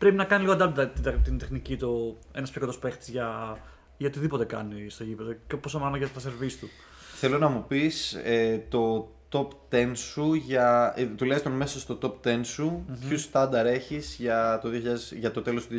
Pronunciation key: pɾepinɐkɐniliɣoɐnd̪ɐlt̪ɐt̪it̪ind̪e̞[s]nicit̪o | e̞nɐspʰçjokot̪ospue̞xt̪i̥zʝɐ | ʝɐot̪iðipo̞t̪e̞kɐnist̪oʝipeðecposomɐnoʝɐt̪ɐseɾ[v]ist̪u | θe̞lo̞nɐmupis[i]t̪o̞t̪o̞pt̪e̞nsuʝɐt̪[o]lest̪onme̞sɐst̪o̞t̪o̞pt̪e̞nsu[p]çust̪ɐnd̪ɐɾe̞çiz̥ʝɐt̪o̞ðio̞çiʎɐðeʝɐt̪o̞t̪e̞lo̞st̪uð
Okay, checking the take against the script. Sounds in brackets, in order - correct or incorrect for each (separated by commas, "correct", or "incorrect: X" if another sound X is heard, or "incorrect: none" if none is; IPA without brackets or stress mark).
incorrect: x, correct, incorrect: e, incorrect: u, correct